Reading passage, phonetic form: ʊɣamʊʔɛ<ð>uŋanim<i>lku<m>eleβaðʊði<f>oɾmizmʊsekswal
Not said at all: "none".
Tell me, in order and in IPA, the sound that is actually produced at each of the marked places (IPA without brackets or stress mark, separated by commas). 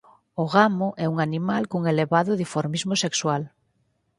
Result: none, a, ŋ, f